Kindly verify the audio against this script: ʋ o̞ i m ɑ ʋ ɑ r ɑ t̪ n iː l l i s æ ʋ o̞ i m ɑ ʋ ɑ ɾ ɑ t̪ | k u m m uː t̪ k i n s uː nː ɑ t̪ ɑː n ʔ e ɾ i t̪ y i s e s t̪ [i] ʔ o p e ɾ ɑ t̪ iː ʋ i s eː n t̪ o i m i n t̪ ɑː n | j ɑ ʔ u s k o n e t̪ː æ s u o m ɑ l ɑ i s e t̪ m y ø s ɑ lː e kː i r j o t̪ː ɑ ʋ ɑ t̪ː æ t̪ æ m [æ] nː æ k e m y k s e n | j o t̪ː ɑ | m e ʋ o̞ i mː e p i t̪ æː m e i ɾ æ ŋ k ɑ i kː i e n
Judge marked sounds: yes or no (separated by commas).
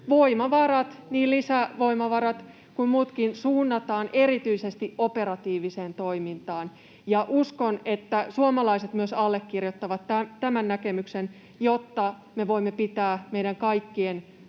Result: yes, yes